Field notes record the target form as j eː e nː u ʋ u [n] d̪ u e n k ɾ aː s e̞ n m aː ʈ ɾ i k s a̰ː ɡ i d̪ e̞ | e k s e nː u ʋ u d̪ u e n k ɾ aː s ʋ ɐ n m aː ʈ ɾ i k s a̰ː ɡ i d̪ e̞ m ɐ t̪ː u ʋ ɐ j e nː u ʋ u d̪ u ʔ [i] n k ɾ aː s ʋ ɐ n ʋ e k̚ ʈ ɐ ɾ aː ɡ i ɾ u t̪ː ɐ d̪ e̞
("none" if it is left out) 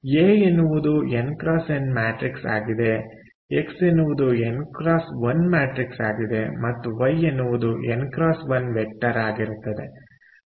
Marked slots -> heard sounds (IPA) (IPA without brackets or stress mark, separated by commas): none, e